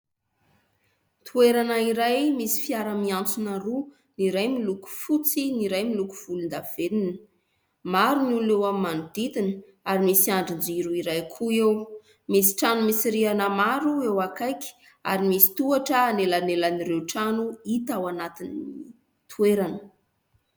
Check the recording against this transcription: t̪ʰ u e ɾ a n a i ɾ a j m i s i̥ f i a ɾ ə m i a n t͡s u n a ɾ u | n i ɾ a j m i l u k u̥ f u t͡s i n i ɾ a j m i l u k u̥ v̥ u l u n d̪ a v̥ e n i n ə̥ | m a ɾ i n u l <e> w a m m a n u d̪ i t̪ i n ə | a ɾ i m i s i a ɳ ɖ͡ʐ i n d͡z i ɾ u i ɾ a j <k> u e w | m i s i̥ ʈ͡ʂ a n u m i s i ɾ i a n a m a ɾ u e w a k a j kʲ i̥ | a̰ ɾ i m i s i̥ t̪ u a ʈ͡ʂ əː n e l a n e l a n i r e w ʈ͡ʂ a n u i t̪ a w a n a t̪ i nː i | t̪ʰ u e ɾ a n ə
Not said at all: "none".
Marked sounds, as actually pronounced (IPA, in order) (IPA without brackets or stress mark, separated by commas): e, kʰ